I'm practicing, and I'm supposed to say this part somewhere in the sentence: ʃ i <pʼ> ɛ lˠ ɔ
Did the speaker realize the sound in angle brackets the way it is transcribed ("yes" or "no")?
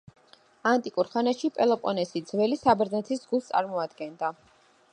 yes